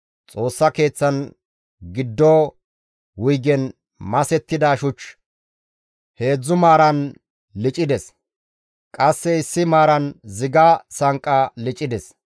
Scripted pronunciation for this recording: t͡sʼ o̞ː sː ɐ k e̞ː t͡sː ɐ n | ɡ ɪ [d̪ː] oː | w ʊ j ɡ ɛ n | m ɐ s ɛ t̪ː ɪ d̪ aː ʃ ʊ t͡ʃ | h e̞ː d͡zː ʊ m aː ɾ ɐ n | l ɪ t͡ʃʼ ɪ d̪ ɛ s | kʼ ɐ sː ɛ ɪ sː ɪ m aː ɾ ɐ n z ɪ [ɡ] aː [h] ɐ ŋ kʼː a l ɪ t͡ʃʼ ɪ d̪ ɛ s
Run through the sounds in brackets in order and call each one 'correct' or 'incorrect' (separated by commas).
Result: correct, correct, incorrect